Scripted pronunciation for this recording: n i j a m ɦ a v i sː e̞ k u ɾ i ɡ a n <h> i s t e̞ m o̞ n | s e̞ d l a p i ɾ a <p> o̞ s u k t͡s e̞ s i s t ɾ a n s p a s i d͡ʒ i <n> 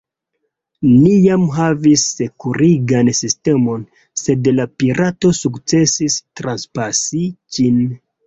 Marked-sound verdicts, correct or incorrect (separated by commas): incorrect, incorrect, correct